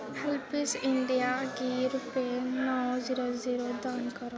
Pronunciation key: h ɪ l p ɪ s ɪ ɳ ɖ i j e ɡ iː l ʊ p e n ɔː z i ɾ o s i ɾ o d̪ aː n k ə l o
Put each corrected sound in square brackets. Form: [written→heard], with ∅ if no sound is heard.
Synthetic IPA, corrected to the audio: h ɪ l p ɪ s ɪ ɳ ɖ i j [e→a] ɡ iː [l→ɾ] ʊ p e n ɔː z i ɾ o [s→z] i ɾ o d̪ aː n k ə [l→ɾ] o

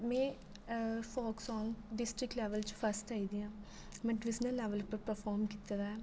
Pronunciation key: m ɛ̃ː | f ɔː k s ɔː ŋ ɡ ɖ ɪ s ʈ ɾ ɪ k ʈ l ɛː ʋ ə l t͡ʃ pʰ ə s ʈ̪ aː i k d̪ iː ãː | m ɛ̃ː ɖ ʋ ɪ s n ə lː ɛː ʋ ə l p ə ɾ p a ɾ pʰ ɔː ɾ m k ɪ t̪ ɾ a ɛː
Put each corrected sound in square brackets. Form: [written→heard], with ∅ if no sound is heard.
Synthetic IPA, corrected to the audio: m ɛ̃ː | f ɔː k s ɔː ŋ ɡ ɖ ɪ s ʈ ɾ ɪ k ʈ l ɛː ʋ ə l t͡ʃ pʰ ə s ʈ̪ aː i [k→∅] d̪ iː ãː | m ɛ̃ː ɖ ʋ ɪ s n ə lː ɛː ʋ ə l p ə ɾ p [a→ə] ɾ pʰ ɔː ɾ m k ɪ t̪ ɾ a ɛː

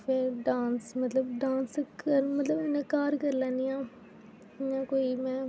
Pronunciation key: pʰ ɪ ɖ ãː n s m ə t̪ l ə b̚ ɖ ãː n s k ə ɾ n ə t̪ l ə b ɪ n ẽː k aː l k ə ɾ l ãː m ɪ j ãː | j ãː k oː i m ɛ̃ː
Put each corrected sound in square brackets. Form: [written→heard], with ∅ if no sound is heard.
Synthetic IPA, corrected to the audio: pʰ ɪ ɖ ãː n s m ə t̪ l ə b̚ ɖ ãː n s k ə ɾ [n→m] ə t̪ l ə b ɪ n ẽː k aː [l→ɾ] k ə ɾ l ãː [m→n] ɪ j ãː | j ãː k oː i m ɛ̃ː

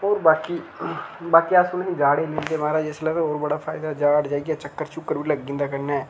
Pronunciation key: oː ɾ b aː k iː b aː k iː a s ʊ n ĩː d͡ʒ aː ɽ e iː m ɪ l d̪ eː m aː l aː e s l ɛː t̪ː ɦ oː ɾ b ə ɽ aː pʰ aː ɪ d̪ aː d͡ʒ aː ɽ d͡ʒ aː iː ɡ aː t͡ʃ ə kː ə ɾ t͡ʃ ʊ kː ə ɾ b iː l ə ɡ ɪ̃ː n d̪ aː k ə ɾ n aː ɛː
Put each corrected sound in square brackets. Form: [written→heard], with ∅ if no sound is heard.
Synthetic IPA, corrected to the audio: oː ɾ b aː k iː b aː k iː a s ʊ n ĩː d͡ʒ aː ɽ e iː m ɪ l d̪ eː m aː [l→ɾ] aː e s l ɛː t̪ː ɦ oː ɾ b ə ɽ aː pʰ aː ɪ d̪ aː d͡ʒ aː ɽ d͡ʒ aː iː ɡ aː t͡ʃ ə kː ə ɾ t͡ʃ ʊ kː ə ɾ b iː l ə ɡ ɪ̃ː n d̪ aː k ə ɾ n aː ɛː

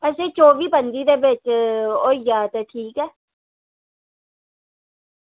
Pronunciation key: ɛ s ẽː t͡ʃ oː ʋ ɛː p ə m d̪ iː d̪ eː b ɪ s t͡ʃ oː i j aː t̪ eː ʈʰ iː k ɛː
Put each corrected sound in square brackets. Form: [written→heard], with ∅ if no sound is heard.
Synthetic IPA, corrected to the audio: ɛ s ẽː t͡ʃ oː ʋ [ɛː→iː] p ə [m→n] d̪ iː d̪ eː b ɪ [s→∅] t͡ʃ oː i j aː t̪ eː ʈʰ iː k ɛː

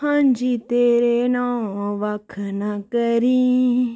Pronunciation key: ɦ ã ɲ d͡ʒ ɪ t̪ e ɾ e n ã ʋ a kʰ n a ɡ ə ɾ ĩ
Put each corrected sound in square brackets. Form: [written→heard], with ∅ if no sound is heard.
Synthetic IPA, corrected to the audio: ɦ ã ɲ d͡ʒ [ɪ→i] t̪ e ɾ e n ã ʋ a kʰ n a [ɡ→k] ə ɾ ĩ

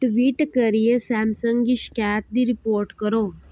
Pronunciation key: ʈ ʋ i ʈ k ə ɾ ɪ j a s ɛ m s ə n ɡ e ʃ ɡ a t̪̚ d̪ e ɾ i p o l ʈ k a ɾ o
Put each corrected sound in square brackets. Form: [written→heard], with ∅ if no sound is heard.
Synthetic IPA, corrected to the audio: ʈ ʋ i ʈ k ə ɾ [ɪ→i] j [a→e] s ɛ m s ə [n→ŋ] ɡ [e→i] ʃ [ɡ→k] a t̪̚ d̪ [e→i] ɾ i p o [l→ɾ] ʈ k [a→ə] ɾ o

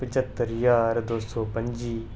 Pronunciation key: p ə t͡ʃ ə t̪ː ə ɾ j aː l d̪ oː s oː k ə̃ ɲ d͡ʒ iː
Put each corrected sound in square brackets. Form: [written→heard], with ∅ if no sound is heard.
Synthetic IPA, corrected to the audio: p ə t͡ʃ ə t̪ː ə ɾ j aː [l→ɾ] d̪ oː s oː [k→p] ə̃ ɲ d͡ʒ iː

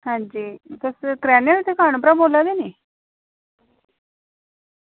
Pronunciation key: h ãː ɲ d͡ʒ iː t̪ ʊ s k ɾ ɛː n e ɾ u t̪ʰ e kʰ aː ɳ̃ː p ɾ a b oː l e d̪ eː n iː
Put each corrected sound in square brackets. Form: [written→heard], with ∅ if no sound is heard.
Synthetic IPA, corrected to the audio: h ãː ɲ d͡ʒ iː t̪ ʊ s k ɾ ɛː n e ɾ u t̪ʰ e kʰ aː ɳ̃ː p ɾ a b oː l [e→a] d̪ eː n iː

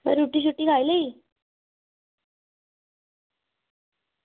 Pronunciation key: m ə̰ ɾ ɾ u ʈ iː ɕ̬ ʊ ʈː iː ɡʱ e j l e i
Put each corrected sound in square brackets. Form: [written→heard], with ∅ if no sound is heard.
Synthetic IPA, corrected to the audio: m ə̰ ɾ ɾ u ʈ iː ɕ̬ [ʊ→u] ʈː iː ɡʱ [e→a] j l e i

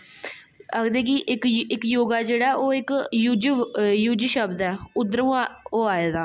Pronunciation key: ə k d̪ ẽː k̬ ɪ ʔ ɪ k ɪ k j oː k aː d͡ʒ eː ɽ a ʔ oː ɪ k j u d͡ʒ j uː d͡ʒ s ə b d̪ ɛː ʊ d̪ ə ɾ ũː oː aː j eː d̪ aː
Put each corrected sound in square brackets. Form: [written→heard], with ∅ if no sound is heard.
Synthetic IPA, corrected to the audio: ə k d̪ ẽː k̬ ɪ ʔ ɪ k ɪ k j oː [k→ɡ] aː d͡ʒ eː ɽ a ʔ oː ɪ k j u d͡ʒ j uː d͡ʒ [s→ʃ] ə b d̪ ɛː ʊ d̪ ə ɾ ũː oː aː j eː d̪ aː

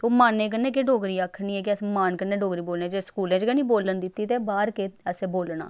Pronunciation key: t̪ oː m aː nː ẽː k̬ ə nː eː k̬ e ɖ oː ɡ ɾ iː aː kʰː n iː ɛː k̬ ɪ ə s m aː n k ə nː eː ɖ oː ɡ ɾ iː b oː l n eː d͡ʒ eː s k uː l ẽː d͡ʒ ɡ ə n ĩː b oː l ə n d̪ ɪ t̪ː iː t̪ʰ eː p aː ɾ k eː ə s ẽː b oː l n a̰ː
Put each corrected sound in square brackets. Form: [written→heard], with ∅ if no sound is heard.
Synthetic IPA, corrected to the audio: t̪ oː m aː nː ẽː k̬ ə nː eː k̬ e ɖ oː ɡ ɾ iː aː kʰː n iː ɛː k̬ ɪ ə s m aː n k ə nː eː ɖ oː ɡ ɾ iː b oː l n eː d͡ʒ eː s k uː l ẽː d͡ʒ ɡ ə n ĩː b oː l ə n d̪ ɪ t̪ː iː [t̪ʰ→t̪] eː [p→b] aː ɾ k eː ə s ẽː b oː l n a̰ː

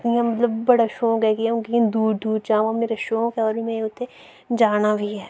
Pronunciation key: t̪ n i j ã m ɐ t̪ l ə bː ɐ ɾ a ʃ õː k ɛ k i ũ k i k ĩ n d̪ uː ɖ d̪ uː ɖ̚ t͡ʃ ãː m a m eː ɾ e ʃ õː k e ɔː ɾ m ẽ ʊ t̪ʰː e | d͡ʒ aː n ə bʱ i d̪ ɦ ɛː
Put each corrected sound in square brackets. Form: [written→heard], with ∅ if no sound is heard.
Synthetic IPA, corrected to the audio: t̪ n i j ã m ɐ t̪ l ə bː ɐ [ɾ→ɽ] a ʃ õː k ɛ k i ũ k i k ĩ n d̪ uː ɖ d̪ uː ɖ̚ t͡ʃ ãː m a m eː ɾ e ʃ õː k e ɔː ɾ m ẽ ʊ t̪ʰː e | d͡ʒ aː n [ə→a] bʱ i [d̪→∅] ɦ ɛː

